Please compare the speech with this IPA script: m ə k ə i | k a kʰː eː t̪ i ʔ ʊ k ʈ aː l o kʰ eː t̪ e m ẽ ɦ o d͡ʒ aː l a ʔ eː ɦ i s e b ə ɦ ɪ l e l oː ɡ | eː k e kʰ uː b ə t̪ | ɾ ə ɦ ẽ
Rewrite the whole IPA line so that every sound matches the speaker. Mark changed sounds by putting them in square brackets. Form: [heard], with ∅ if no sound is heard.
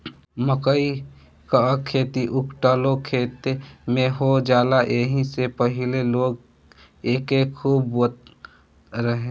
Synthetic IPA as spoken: m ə k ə i | k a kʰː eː t̪ i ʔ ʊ k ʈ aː l o kʰ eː t̪ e m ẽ ɦ o d͡ʒ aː l a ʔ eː ɦ i s e [p] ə ɦ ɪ l e l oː ɡ | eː k e kʰ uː b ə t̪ | ɾ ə ɦ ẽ